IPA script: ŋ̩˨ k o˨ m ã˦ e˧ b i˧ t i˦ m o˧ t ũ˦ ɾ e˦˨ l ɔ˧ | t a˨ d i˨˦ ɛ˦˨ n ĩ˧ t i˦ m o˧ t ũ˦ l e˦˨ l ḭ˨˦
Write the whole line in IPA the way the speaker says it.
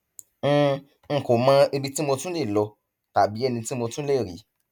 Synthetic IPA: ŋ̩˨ k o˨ m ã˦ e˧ b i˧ t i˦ m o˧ t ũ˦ l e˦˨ l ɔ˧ | t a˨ b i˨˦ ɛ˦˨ n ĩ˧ t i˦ m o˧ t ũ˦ l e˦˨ ɾ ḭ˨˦